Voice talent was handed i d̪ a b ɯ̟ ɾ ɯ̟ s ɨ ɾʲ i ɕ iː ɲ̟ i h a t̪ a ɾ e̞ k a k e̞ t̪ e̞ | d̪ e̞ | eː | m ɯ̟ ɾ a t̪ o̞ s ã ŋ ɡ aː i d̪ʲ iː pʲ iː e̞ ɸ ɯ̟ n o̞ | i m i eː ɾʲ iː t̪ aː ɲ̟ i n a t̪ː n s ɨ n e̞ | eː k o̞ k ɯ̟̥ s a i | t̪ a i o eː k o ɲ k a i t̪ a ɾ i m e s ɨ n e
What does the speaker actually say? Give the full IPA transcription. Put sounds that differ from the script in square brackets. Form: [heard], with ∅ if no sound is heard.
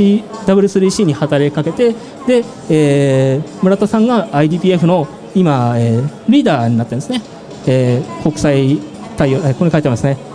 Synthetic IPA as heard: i d̪ a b ɯ̟ ɾ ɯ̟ s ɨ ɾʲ i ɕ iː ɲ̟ i h a t̪ a ɾ e̞ k a k e̞ t̪ e̞ | d̪ e̞ | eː | m ɯ̟ ɾ a t̪ o̞ s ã ŋ ɡ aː i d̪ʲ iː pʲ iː e̞ ɸ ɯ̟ n o̞ | i m [a] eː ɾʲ iː [d̪] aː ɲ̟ i n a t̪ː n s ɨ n e̞ | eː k o̞ k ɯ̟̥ s a i | t̪ a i o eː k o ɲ k a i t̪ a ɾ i m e s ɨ n e